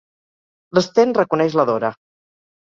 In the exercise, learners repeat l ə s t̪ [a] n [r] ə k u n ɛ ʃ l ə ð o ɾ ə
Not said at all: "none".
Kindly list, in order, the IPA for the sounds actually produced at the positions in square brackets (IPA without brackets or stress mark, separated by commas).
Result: e, r